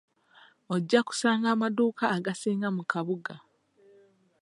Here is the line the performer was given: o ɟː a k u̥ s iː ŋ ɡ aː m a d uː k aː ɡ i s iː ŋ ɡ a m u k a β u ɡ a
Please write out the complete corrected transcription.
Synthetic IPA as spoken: o ɟː a k u̥ s aː ŋ ɡ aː m a d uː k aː ɡ a s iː ŋ ɡ a m u k a β u ɡ a